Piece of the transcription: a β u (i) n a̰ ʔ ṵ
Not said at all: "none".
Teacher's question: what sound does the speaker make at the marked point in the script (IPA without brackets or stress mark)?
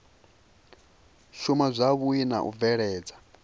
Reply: i